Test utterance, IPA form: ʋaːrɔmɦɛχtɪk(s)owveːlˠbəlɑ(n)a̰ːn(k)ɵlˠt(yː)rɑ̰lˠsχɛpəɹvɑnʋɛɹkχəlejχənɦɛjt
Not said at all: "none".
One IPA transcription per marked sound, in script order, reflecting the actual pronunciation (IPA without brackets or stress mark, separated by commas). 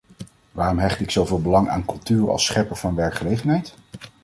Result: s, ŋ, k, yː